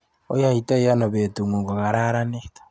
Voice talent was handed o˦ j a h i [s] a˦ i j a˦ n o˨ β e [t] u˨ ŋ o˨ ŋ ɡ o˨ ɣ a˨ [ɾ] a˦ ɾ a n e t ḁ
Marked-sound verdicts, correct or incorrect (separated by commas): incorrect, correct, correct